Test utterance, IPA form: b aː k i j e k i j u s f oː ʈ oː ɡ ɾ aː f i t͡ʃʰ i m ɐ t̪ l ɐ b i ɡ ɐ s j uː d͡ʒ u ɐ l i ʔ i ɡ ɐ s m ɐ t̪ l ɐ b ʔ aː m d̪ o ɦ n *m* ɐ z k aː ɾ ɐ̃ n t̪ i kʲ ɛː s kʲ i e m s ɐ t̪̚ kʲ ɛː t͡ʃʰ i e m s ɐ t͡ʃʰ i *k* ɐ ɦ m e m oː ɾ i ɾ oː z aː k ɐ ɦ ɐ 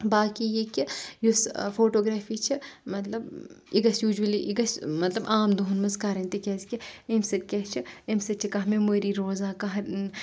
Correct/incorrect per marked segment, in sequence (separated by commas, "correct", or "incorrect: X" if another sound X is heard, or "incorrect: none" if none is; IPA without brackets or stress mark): correct, correct